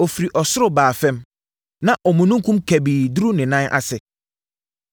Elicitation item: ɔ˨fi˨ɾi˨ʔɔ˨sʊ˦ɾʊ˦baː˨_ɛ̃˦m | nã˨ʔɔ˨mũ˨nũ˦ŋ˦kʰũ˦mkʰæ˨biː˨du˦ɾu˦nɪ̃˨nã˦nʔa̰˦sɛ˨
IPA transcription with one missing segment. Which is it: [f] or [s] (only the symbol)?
f